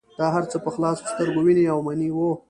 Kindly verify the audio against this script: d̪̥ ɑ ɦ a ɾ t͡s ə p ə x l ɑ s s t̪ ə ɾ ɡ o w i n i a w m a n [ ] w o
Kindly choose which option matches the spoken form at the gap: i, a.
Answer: i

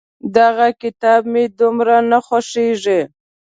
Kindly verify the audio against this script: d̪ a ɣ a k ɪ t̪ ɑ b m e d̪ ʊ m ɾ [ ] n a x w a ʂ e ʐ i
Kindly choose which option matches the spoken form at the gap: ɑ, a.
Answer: a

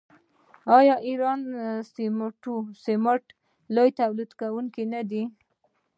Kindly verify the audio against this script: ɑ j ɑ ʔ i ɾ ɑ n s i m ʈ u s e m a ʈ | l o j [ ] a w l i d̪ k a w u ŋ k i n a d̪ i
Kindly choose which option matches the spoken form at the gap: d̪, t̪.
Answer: t̪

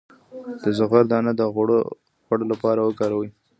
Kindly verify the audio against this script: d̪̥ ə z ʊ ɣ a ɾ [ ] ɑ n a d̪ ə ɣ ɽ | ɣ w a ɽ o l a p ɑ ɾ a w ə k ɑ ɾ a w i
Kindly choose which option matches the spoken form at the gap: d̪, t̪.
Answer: d̪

